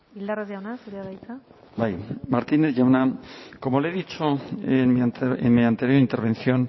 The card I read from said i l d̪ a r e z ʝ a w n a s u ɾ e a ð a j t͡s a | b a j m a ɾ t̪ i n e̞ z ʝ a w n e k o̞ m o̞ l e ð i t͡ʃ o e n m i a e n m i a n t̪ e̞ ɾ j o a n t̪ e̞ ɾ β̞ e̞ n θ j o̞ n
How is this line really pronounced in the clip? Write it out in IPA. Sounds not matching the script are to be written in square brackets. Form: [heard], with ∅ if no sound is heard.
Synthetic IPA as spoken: i l d̪ a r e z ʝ a w n a s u ɾ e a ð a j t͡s a | b a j m a ɾ t̪ i n e̞ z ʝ a w n [a] k o̞ m o̞ l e ð i t͡ʃ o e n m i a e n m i a n t̪ e̞ ɾ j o [i] n t̪ e̞ ɾ β̞ e̞ n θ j o̞ n

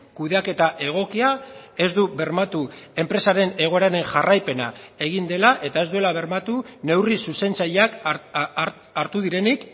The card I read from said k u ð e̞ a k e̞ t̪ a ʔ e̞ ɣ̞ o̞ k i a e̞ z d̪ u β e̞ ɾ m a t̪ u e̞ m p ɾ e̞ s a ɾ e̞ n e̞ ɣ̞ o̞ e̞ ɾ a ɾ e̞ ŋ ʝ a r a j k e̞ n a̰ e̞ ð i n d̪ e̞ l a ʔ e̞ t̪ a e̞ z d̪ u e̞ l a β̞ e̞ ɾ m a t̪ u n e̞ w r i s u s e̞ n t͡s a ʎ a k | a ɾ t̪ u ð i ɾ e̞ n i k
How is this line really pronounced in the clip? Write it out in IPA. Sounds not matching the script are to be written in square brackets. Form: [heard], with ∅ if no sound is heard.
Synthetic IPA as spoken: k u ð e̞ a k e̞ t̪ a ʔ e̞ ɣ̞ o̞ k i a e̞ z d̪ u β e̞ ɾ m a t̪ u e̞ m p ɾ e̞ s a ɾ e̞ n e̞ ɣ̞ o̞ e̞ ɾ a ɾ e̞ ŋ ʝ a r a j [p] e̞ n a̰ e̞ [ɣ] i n d̪ e̞ l a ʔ e̞ t̪ a e̞ z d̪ u e̞ l a β̞ e̞ ɾ m a t̪ u n e̞ w r i s u s e̞ n t͡s a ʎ a k | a ɾ t̪ u ð i ɾ e̞ n i k

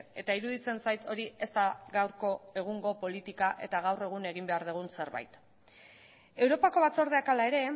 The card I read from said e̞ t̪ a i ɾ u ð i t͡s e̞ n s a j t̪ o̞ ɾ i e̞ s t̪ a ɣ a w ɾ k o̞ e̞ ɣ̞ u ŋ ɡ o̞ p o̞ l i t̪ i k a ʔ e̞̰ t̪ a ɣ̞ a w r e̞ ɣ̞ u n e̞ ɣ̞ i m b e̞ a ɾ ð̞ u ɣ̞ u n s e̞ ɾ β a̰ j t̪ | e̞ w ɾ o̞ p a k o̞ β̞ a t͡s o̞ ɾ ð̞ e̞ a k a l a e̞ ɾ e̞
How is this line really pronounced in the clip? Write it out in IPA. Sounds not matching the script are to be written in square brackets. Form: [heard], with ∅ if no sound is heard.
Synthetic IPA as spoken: e̞ t̪ a i ɾ u ð i t͡s e̞ n s a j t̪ o̞ ɾ i e̞ s t̪ a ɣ a w ɾ k o̞ e̞ ɣ̞ u ŋ ɡ o̞ p o̞ l i t̪ i k a ʔ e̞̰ t̪ a ɣ̞ a w r e̞ ɣ̞ u n e̞ ɣ̞ i m b e̞ a ɾ ð̞ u ɣ̞ u n s e̞ ɾ β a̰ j t̪ | e̞ w ɾ o̞ p a k o̞ β̞ a t͡s o̞ ɾ ð̞ e̞ a k a l a e̞ ɾ e̞

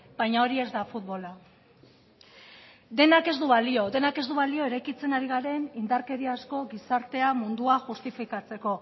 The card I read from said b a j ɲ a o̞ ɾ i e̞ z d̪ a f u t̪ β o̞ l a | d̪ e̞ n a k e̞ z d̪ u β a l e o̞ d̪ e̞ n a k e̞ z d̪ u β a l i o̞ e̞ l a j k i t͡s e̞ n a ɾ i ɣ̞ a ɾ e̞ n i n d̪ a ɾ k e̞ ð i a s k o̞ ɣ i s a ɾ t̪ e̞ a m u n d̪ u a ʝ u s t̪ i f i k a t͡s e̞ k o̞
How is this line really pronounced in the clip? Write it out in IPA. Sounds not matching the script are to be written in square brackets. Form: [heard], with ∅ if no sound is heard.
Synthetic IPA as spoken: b a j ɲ a o̞ ɾ i e̞ z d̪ a f u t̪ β o̞ l a | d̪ e̞ n a k e̞ z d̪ u β a l [i] o̞ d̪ e̞ n a k e̞ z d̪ u β a l i o̞ e̞ [ɾ] a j k i t͡s e̞ n a ɾ i ɣ̞ a ɾ e̞ n i n d̪ a ɾ k e̞ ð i a s k o̞ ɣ i s a ɾ t̪ e̞ a m u n d̪ u a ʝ u s t̪ i f i k a t͡s e̞ k o̞

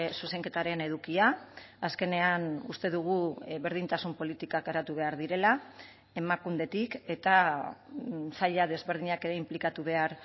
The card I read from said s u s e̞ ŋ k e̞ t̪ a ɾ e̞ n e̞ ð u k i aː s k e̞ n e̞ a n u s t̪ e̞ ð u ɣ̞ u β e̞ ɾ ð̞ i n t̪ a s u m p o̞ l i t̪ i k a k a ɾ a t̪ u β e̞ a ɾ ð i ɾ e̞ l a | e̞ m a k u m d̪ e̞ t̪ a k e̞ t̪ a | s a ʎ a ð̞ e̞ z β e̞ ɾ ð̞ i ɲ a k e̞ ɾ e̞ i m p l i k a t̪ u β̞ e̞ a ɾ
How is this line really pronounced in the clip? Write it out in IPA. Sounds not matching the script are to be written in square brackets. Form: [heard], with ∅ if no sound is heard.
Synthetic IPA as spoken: s u s e̞ ŋ k e̞ t̪ a ɾ e̞ n e̞ ð u k i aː s k e̞ n e̞ a n u s t̪ e̞ ð u ɣ̞ u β e̞ ɾ ð̞ i n t̪ a s u m p o̞ l i t̪ i k a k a ɾ a t̪ u β e̞ a ɾ ð i ɾ e̞ l a | e̞ m a k u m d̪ e̞ t̪ [i] k e̞ t̪ a | s a ʎ a ð̞ e̞ z β e̞ ɾ ð̞ i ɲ a k e̞ ɾ e̞ i m p l i k a t̪ u β̞ e̞ a ɾ

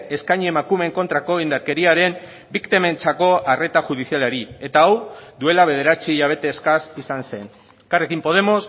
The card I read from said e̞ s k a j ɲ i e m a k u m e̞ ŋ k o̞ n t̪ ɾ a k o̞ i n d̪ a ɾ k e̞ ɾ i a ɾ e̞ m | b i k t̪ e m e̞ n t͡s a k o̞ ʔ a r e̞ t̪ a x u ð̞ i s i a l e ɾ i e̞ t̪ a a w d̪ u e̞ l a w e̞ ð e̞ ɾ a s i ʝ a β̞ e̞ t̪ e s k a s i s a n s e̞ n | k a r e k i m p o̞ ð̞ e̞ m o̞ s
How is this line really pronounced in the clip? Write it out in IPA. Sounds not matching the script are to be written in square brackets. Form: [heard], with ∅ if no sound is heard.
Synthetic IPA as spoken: e̞ s k a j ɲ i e m a k u m e̞ ŋ k o̞ n t̪ ɾ a k o̞ i n d̪ a ɾ k e̞ ɾ i a ɾ e̞ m | b i k t̪ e m e̞ n t͡s a k o̞ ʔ a r e̞ t̪ a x u ð̞ i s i a l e ɾ i e̞ t̪ a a w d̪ u e̞ l a [β] e̞ ð e̞ ɾ a [t͡s] i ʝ a β̞ e̞ t̪ e s k a s i s a n s e̞ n | k a r e k i m p o̞ ð̞ e̞ m o̞ s

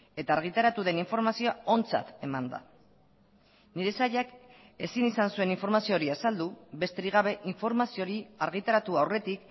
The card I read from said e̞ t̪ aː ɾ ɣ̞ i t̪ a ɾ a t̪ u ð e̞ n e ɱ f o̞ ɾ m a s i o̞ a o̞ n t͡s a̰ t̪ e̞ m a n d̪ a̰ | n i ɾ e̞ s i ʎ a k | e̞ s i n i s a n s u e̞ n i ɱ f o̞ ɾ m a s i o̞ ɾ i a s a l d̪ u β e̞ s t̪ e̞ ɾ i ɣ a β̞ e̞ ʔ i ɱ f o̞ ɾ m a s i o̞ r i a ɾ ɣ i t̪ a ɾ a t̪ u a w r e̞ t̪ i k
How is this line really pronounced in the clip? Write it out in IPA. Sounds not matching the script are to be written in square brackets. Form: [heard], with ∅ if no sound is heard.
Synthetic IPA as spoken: e̞ t̪ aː ɾ ɣ̞ i t̪ a ɾ a t̪ u ð e̞ n [i] ɱ f o̞ ɾ m a s i o̞ a o̞ n t͡s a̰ t̪ e̞ m a n d̪ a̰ | n i ɾ e̞ s [a] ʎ a k | e̞ s i n i s a n s u e̞ n i ɱ f o̞ ɾ m a s i o̞ ɾ i a s a l d̪ u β e̞ s t̪ e̞ ɾ i ɣ a β̞ e̞ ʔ i ɱ f o̞ ɾ m a s i o̞ [ɾ] i a ɾ ɣ i t̪ a ɾ a t̪ u a w r e̞ t̪ i k

